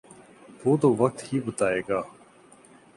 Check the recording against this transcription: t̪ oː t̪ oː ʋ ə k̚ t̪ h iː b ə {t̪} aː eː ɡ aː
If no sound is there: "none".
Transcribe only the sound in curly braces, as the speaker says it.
t̪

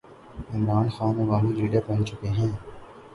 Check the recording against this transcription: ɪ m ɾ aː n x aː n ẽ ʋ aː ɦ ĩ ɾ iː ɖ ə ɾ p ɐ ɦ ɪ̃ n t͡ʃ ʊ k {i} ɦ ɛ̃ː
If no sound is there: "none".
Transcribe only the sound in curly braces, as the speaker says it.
e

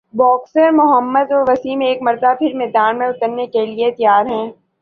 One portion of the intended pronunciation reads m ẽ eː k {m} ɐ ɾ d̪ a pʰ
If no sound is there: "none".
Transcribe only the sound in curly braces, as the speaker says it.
m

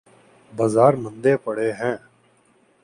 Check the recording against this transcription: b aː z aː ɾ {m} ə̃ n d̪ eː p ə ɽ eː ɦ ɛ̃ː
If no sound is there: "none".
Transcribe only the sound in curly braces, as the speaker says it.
m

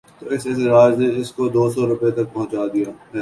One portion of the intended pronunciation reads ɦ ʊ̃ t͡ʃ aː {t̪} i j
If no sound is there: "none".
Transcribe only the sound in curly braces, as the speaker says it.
d̪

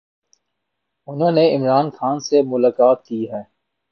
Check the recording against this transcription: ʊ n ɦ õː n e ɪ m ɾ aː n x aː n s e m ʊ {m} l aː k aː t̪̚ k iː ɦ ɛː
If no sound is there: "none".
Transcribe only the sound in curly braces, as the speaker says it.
none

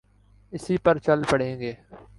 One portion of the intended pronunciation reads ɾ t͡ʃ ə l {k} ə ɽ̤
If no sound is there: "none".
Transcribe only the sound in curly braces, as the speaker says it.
p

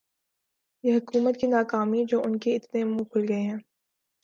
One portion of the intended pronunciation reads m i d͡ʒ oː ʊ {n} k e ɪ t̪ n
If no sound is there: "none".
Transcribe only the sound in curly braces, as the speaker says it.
n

